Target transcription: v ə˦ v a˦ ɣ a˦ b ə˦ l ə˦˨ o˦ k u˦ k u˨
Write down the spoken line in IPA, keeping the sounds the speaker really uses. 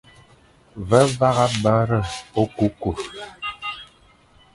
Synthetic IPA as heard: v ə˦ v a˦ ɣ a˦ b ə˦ ɾ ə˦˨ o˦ k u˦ k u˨